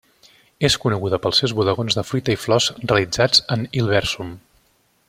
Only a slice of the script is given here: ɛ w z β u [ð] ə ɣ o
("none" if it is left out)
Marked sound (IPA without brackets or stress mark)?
ð